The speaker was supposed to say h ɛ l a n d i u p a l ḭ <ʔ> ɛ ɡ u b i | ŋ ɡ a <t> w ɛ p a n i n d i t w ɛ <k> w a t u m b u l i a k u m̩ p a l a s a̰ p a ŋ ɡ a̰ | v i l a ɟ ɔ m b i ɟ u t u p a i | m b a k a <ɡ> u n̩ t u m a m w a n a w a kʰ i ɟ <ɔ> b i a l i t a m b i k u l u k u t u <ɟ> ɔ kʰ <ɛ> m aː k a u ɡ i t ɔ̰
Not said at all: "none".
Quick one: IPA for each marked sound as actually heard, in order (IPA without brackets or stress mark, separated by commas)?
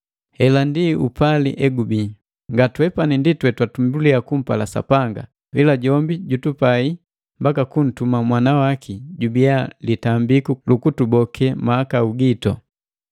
ʔ, t, t, k, u, b, ɛ